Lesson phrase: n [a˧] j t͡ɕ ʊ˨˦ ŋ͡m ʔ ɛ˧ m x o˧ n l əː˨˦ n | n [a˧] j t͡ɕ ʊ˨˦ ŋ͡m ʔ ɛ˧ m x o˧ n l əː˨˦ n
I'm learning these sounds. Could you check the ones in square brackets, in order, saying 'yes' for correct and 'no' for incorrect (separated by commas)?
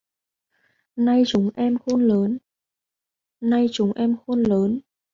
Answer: yes, yes